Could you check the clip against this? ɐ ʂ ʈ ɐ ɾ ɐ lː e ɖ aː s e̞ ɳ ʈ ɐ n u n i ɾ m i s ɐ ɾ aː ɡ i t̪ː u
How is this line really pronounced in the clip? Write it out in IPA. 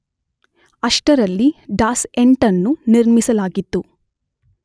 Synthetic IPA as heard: ɐ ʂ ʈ ɐ ɾ ɐ lː i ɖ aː s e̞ ɳ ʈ ɐ nː u n i ɾ m i s ɐ l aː ɡ i t̪ː u